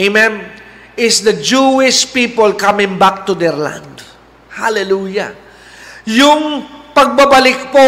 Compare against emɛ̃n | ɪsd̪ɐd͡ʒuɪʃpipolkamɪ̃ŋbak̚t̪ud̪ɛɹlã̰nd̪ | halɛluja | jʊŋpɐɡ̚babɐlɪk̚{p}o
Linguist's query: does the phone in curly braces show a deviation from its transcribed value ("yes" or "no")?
no